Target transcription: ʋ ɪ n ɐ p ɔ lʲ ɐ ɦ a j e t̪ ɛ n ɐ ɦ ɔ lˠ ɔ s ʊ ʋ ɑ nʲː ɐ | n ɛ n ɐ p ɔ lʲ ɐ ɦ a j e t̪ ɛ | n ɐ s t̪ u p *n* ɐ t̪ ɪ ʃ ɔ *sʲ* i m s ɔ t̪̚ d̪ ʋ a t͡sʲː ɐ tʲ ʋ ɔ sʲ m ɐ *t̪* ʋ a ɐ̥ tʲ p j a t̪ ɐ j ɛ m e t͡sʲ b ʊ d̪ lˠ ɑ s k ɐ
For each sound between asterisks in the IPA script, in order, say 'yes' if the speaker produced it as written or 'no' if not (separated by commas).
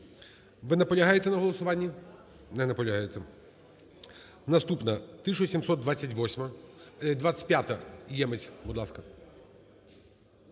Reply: yes, yes, no